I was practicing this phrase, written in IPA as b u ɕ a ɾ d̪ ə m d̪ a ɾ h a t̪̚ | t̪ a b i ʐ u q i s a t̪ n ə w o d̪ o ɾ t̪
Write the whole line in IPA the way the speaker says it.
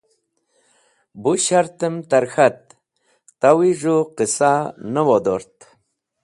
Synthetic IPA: b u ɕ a ɾ t̪ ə m t̪ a ɾ x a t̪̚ | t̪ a w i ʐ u q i s a n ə w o d̪ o ɾ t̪